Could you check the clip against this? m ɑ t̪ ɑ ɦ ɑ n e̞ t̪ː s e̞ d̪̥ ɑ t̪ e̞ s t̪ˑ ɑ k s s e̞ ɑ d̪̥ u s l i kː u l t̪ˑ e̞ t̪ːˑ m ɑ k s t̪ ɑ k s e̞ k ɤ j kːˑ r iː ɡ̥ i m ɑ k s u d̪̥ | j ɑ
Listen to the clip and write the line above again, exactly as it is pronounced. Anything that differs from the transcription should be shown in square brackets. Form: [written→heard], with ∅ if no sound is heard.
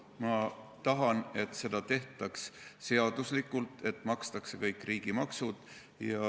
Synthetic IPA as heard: m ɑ t̪ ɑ ɦ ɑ n e̞ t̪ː s e̞ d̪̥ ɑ t̪ e̞ [s→h] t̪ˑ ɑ k s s e̞ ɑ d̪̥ u s l i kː u l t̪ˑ e̞ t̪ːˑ m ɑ k s t̪ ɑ k s e̞ k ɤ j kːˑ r iː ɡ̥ i m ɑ k s u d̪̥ | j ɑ

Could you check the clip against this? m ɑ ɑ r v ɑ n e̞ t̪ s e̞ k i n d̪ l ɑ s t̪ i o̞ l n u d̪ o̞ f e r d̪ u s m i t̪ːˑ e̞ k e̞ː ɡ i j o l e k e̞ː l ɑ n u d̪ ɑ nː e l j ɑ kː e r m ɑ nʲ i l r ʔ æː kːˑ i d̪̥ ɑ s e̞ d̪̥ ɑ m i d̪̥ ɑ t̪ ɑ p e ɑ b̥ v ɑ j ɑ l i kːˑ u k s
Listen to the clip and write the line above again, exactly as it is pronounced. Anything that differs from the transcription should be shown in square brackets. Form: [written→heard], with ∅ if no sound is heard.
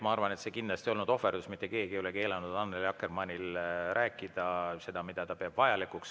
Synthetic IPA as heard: m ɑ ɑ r v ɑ n e̞ t̪ s e̞ k i n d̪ l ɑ s t̪ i o̞ l n u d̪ o̞ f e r d̪ u s m i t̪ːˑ e̞ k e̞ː ɡ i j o l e k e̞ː l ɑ n u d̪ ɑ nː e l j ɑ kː e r m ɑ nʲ i l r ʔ æː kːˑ i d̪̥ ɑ s e̞ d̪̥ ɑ m i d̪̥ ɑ t̪ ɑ p e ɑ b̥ v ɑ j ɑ l i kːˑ u k s

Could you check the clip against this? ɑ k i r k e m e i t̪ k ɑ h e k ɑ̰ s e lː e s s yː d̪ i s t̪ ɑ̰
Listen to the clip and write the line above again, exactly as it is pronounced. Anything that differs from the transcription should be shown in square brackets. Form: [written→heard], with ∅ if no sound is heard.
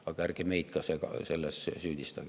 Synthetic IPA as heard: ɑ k [i→æ] r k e m e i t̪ k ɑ [h→s] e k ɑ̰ s e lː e s s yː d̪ i s t̪ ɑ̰

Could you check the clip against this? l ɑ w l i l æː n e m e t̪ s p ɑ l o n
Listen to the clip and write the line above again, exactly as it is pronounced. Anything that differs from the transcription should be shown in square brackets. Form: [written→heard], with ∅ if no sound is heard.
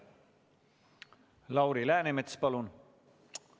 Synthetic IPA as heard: l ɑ w [l→ɾ] i l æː n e m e t̪ s p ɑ l [o→u] n

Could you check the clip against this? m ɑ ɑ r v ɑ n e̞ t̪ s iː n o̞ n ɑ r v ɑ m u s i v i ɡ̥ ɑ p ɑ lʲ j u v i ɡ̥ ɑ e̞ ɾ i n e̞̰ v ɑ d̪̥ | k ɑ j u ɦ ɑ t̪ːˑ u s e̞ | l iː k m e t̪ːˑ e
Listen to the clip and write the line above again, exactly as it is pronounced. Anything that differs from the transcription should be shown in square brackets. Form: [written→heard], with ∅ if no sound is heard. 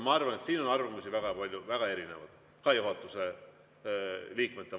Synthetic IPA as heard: m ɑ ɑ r v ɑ n e̞ t̪ s iː n o̞ n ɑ r v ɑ m u s i v [i→æ] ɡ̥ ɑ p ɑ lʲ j u v [i→æ] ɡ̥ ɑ e̞ ɾ i n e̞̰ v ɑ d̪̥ | k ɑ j u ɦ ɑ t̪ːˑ u s e̞ | l iː k m e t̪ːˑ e

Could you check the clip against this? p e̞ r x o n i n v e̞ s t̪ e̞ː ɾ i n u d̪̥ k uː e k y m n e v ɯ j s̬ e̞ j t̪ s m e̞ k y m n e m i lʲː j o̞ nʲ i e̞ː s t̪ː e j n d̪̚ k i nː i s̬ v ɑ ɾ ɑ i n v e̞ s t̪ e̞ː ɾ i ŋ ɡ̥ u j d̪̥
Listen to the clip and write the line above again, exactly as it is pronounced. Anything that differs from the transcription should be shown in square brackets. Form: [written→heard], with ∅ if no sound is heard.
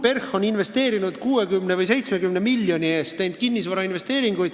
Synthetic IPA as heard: p e̞ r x o n i n v e̞ s t̪ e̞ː ɾ i n u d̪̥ k uː e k y m n e v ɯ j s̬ e̞ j t̪ s m e̞ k y m n e m i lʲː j o̞ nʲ i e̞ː s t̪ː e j n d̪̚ k i nː i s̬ v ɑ ɾ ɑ i n v e̞ s t̪ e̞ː ɾ i ŋ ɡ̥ u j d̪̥

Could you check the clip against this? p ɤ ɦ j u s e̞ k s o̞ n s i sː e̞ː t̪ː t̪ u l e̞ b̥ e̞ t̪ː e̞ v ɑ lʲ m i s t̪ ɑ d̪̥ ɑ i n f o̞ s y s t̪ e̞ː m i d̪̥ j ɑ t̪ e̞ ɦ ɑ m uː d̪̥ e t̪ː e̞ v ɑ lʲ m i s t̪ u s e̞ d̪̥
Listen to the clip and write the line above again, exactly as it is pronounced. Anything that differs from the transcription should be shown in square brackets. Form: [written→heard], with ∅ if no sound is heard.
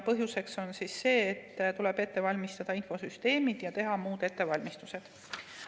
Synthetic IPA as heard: p ɤ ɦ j u s e̞ k s o̞ n s i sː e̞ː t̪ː t̪ u l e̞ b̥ e̞ t̪ː e̞ v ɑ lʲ m i s t̪ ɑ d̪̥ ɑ i n f o̞ s y s t̪ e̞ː m i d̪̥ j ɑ t̪ e̞ ɦ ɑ m uː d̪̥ e t̪ː e̞ v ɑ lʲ m i s t̪ u s e̞ d̪̥

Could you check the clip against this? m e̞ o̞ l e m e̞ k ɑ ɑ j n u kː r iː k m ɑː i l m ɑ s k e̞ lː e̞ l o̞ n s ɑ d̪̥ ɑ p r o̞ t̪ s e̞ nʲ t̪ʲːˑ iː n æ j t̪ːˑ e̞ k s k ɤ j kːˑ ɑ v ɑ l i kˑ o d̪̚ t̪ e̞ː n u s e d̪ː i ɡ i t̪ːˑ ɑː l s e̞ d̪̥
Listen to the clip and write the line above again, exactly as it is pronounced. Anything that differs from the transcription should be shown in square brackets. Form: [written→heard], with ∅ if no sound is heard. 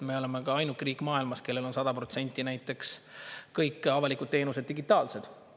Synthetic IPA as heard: m e̞ o̞ l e m e̞ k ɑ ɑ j n u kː r iː k m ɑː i l m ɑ s k e̞ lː e̞ l o̞ n s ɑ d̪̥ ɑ p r o̞ t̪ s e̞ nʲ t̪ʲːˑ [iː→i] n æ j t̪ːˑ e̞ k s k ɤ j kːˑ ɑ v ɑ l i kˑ [o→u] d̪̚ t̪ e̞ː n u s e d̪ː i ɡ i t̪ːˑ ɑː l s e̞ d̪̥

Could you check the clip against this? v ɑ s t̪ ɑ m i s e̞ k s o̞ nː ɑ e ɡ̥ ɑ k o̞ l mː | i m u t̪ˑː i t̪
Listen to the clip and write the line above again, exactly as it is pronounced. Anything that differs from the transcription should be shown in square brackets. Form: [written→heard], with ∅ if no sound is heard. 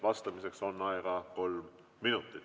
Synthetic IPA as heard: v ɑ s t̪ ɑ m i s e̞ k s o̞ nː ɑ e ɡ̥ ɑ k o̞ l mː | i [m→n] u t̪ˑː i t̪

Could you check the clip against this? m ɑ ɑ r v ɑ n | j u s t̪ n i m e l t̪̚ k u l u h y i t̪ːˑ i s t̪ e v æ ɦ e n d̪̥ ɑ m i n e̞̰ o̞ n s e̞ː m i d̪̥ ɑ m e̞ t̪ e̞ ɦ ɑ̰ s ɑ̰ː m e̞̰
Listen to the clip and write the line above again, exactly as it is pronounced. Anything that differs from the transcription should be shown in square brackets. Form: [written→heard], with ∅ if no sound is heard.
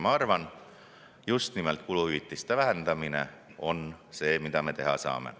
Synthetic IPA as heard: m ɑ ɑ r v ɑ n | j u s t̪ n i m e l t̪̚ k u l u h y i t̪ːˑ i s t̪ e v æ ɦ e n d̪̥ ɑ m i n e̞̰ o̞ n s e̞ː m i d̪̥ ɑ m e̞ t̪ e̞ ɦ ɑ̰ s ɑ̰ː m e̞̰

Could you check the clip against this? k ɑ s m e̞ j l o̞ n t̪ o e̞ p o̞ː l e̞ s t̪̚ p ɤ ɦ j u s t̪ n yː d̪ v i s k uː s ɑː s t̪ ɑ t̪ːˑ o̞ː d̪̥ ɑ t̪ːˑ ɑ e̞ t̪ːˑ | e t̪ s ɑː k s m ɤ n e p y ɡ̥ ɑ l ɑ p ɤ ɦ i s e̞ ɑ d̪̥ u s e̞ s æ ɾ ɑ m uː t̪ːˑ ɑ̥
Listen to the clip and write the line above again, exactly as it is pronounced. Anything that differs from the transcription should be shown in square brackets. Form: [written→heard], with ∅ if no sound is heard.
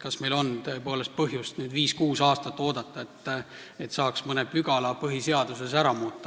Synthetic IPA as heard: k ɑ s m e̞ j l o̞ n t̪ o e̞ p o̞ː l e̞ s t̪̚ p ɤ ɦ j u s t̪ n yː d̪ v [i→iː] s k uː s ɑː s t̪ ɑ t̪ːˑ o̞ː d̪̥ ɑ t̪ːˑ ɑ e̞ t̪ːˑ | e t̪ s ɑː k s m ɤ n e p y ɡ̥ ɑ l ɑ p ɤ ɦ i s e̞ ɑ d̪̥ u s e̞ s æ ɾ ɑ m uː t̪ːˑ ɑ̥

